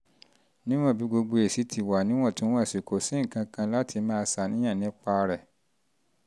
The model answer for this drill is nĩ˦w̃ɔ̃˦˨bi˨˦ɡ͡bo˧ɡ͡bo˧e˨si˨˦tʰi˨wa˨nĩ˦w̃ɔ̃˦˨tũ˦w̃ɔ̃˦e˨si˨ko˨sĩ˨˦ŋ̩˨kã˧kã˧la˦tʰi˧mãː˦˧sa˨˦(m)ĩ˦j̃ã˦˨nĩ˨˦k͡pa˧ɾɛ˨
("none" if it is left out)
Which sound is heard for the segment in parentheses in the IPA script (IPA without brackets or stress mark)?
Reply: n